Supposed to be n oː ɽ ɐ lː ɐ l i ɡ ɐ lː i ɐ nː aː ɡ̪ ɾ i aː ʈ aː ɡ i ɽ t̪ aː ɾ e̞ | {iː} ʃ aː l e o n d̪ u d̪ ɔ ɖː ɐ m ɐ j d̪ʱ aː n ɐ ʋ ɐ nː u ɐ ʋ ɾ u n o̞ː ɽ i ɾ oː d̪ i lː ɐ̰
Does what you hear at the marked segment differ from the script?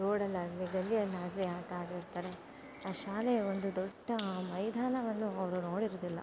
yes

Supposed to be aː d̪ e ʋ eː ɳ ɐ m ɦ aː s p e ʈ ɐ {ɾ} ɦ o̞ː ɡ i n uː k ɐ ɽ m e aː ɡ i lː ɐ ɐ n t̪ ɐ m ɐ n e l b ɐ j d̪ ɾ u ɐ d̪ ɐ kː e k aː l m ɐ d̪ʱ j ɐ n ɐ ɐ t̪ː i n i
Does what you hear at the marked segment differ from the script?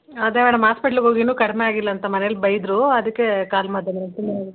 yes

